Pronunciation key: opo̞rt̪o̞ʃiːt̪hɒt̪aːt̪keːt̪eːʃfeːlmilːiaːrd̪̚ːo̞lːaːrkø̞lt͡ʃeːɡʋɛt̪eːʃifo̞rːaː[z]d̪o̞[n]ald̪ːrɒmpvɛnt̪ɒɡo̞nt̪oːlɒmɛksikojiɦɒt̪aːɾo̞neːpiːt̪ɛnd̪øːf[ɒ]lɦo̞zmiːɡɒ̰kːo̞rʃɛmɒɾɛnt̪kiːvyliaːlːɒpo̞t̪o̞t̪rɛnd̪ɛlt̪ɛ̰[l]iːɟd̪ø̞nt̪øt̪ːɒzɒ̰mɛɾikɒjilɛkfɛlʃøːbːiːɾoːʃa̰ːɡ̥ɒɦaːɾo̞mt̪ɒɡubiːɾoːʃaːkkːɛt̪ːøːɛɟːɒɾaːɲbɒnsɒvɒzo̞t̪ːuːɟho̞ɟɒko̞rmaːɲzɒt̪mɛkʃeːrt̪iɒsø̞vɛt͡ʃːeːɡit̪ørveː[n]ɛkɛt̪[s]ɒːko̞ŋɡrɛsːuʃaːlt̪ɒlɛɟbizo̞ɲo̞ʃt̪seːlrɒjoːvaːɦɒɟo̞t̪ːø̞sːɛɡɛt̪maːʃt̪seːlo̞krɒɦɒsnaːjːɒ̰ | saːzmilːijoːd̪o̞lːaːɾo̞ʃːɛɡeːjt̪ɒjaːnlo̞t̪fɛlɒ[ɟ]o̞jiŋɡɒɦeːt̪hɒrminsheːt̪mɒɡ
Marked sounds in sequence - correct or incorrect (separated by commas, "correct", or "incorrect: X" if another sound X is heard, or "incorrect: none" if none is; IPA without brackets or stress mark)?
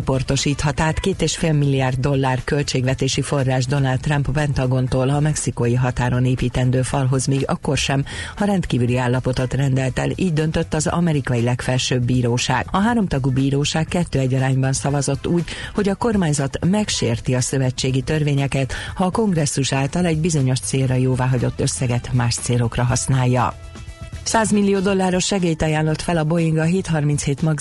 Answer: incorrect: ʒ, correct, correct, correct, incorrect: ɲ, incorrect: h, incorrect: b